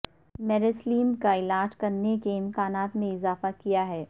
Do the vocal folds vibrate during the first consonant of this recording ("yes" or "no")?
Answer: yes